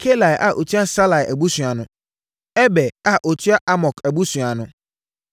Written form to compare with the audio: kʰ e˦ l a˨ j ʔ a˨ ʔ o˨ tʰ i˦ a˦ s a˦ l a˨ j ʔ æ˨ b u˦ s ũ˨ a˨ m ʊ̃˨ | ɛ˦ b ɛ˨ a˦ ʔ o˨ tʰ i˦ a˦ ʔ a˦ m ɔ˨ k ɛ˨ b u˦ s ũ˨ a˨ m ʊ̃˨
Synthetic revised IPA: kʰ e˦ l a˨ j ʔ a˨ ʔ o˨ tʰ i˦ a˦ s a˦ l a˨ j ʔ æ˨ b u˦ s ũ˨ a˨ n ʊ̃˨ | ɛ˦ b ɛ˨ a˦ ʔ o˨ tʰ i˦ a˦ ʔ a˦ m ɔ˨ k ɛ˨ b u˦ s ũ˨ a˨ n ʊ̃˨